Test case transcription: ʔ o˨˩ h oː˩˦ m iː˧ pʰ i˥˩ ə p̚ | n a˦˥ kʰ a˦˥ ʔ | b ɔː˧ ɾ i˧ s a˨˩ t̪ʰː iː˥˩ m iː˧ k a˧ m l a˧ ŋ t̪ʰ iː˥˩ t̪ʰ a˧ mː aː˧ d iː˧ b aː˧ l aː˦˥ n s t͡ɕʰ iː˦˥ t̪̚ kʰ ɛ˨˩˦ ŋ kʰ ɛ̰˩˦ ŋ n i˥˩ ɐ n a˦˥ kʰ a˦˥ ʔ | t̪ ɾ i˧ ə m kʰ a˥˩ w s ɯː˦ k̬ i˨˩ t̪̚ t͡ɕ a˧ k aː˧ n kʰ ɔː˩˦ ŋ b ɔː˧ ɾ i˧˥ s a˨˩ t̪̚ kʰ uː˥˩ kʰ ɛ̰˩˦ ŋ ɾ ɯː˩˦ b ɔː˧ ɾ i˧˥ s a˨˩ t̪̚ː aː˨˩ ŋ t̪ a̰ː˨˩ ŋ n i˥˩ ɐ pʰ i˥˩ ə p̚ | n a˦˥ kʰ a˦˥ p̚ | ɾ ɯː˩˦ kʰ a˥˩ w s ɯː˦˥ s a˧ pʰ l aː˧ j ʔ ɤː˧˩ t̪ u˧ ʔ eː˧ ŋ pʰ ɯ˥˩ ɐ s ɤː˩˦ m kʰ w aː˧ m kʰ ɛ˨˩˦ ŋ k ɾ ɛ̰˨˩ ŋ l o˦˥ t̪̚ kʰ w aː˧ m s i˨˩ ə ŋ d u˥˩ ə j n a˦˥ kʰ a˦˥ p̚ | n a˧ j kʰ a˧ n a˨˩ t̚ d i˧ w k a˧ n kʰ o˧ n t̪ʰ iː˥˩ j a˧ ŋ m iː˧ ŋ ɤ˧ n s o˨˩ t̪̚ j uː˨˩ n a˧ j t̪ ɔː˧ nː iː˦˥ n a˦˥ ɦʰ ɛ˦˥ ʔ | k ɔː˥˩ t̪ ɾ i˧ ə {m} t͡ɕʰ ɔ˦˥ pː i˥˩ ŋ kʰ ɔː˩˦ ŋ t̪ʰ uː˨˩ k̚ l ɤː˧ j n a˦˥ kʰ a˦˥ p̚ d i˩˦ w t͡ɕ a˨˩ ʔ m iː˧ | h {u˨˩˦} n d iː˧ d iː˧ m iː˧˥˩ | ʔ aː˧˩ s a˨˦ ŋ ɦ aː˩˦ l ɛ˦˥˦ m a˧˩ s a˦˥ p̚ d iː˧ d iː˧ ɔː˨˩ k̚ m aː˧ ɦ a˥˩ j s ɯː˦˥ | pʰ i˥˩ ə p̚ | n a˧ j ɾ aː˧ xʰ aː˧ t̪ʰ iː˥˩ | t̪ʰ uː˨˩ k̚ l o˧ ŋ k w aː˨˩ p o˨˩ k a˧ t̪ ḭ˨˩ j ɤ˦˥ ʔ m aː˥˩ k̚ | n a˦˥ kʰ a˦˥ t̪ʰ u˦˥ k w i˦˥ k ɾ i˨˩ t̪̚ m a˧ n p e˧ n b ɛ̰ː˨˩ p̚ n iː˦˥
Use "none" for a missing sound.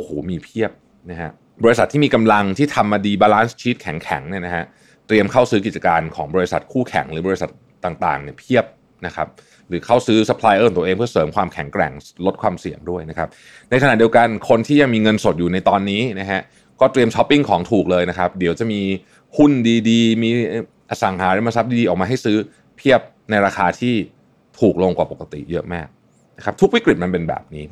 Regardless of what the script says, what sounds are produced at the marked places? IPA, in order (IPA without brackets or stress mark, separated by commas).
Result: m, u˥˩